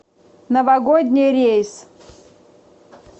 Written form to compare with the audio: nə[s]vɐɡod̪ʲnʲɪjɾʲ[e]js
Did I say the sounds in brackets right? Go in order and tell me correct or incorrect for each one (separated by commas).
incorrect, correct